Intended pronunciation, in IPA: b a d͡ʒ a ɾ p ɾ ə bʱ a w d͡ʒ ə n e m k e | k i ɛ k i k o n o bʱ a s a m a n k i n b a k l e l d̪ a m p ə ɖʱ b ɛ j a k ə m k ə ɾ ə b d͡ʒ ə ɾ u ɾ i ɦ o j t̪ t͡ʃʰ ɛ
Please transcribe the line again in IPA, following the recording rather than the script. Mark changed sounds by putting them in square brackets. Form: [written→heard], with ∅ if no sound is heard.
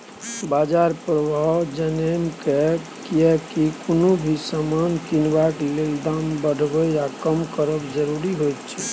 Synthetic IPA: b a d͡ʒ a ɾ p ɾ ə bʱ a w d͡ʒ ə n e m k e | k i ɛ k i k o n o bʱ [a→i] s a m a n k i n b a k l e l d̪ a m [p→b] ə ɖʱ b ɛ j a k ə m k ə ɾ ə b d͡ʒ ə ɾ u ɾ i ɦ o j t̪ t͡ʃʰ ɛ